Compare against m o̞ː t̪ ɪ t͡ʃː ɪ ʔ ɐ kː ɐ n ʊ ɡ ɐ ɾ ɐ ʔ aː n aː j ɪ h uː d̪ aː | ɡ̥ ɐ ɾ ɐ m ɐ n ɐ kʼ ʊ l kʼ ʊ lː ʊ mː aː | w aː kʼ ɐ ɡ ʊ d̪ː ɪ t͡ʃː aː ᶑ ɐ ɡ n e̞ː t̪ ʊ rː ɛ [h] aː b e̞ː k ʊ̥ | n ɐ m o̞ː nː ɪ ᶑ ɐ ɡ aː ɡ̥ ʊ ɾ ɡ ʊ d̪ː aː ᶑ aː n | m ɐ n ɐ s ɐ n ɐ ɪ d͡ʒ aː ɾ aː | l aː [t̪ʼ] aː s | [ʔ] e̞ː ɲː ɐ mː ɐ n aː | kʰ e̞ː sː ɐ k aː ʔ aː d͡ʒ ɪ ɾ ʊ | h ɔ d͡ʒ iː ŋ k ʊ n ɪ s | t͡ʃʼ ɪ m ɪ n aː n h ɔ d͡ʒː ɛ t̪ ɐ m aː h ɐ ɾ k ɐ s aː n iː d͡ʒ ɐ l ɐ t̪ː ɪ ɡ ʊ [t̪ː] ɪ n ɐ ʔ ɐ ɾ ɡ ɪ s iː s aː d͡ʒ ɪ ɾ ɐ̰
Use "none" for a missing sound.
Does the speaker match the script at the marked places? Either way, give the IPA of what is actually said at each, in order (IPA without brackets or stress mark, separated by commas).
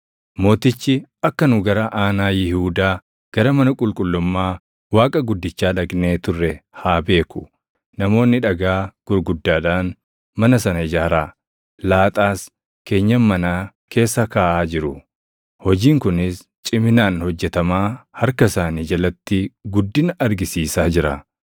h, t̪ʼ, k, d̪ː